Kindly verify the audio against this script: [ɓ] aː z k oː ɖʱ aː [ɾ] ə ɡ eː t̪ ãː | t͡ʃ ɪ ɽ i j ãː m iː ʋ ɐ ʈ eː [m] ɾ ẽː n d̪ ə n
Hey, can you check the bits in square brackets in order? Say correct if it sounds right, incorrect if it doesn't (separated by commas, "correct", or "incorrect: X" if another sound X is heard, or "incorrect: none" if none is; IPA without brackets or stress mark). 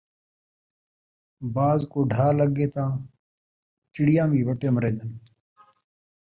incorrect: b, incorrect: l, correct